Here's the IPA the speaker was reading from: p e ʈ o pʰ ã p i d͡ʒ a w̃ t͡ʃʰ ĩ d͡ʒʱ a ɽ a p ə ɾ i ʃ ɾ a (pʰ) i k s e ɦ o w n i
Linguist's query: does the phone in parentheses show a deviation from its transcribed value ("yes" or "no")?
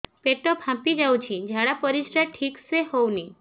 yes